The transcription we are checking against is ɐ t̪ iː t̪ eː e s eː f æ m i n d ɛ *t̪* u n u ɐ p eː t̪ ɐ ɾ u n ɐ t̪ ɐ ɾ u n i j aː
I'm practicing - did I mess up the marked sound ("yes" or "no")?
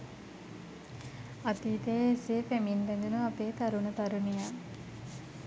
yes